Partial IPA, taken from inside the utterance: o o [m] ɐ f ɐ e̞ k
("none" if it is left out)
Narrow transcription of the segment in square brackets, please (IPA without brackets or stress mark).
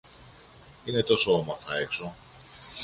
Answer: m